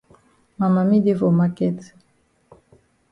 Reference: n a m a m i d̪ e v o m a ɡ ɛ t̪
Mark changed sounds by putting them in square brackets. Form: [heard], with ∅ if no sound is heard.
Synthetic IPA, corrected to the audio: [m] a m a m i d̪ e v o m a [k] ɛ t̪